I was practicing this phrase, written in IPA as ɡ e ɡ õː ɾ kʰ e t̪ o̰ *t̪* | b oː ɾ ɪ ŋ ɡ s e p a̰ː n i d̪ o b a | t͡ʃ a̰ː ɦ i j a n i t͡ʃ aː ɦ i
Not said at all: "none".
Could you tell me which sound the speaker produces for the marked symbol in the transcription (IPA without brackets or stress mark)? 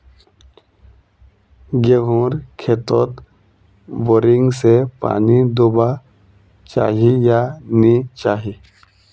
t̪